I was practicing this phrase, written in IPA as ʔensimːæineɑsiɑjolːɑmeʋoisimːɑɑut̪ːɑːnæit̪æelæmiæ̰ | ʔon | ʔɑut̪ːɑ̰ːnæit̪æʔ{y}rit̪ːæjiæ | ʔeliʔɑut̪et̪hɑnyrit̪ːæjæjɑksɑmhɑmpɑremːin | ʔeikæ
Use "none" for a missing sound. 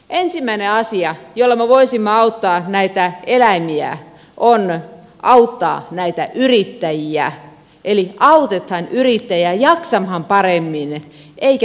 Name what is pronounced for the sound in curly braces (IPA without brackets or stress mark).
y